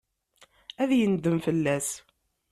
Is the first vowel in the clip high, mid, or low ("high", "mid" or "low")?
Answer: low